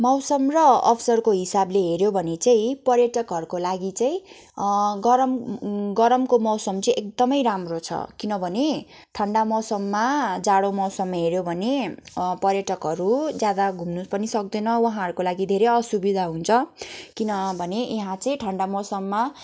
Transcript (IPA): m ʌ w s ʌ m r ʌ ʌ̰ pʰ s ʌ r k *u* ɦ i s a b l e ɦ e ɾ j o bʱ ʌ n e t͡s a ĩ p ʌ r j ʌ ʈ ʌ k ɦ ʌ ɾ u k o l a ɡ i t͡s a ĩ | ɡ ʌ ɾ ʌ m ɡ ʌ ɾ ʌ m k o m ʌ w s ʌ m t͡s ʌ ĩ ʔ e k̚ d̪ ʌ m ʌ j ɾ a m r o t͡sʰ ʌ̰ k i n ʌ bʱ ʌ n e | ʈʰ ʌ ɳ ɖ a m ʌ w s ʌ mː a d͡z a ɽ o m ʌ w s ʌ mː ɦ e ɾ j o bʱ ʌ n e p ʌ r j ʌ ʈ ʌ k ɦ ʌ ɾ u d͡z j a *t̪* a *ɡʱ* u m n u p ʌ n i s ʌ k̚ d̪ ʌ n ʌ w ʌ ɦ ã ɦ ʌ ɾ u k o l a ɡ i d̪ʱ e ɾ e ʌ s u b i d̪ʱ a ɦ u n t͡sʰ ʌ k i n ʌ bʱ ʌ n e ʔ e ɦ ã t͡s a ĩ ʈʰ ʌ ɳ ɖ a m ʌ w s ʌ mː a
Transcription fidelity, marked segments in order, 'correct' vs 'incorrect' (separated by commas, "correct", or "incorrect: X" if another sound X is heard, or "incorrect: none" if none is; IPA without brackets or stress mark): incorrect: o, incorrect: d̪, correct